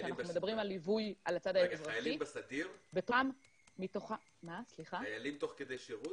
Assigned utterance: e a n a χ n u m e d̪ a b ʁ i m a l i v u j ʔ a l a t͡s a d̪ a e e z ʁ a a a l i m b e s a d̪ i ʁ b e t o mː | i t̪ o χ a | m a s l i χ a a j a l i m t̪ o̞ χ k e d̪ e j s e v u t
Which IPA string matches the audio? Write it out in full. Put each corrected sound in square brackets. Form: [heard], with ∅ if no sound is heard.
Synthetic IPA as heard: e a n a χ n u m e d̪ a b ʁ i m a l i v u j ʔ a l a t͡s a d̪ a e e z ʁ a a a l i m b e s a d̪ i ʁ b e t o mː | i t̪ o χ a | m a s l i χ a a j a l i m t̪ o̞ χ k e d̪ e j [ʃ] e [ʁ] u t